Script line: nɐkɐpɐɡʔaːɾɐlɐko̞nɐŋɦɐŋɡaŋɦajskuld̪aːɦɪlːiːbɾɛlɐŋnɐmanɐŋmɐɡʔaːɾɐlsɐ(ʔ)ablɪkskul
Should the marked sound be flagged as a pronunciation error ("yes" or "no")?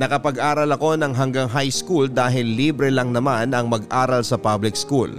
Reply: yes